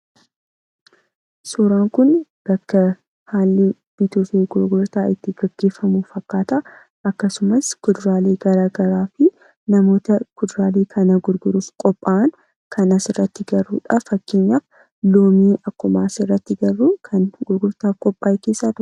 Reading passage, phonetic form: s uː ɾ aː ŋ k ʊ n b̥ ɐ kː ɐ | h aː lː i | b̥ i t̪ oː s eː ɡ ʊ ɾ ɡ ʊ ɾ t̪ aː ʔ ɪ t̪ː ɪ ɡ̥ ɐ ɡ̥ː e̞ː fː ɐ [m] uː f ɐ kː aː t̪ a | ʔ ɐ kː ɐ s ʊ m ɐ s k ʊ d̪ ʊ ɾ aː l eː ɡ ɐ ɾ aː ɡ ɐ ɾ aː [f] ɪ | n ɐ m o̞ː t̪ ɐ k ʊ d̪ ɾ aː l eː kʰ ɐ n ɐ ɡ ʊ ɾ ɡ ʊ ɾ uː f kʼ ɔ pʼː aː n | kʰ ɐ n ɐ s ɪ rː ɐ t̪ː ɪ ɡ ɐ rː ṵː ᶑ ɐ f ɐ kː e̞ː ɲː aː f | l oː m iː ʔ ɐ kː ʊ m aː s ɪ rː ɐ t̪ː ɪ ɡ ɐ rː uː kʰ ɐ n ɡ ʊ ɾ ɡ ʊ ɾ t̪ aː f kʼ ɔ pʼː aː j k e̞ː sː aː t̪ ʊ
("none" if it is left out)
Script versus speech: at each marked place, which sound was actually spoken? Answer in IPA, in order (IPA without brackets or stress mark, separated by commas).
m, f